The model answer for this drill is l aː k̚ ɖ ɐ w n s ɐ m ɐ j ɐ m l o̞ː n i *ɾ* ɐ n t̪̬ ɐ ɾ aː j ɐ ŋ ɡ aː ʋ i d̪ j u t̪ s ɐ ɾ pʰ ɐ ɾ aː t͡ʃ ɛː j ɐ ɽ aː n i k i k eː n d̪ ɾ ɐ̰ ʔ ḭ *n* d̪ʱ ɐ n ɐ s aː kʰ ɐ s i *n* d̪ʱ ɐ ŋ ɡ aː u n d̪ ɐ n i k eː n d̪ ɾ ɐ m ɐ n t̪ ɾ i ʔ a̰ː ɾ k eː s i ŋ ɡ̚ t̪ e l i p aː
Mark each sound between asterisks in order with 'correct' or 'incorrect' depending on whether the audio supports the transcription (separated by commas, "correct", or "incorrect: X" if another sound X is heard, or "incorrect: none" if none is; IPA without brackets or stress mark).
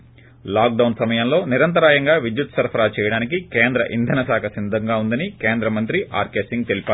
correct, correct, correct